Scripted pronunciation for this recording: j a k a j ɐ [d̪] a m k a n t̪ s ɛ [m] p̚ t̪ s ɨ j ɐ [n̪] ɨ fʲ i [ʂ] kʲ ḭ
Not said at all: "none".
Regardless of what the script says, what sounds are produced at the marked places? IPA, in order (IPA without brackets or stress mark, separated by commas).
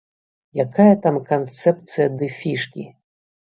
t̪, none, d̪, ʂ